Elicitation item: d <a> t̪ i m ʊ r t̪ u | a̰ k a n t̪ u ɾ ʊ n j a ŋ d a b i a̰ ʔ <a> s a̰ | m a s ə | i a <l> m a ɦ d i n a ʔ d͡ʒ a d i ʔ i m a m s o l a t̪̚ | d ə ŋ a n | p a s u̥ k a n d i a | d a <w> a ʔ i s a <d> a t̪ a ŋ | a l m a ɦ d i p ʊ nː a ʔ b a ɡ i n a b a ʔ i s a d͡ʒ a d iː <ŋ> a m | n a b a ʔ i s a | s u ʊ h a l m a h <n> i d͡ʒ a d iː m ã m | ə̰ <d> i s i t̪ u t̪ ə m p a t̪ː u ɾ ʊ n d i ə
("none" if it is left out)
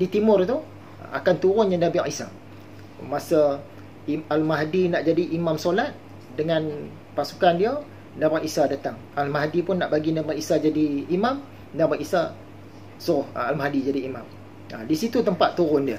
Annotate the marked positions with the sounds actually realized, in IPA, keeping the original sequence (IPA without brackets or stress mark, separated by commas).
i, i, l, b, d, m, d, d